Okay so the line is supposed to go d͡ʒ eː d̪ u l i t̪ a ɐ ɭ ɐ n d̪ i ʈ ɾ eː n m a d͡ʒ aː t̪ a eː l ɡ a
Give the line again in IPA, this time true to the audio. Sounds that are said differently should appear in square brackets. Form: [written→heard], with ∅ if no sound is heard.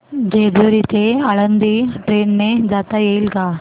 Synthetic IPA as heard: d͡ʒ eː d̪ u [l→ɾ] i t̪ [a→e] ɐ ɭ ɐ n d̪ i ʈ ɾ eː n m [a→e] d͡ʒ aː t̪ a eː l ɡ a